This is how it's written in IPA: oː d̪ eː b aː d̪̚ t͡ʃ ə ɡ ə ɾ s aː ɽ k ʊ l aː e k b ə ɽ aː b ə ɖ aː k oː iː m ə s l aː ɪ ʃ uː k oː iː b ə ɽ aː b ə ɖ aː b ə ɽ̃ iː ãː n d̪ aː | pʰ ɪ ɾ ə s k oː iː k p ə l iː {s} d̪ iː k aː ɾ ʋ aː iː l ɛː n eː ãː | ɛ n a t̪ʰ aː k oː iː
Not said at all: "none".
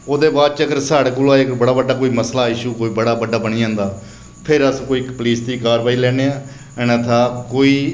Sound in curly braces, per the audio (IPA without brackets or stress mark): s